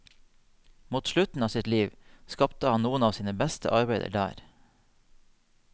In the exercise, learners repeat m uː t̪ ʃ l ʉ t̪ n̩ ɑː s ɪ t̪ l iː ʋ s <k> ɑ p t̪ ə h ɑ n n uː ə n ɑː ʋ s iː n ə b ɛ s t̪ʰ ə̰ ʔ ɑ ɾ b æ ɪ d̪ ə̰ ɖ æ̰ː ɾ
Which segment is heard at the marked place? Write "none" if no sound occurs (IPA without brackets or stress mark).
k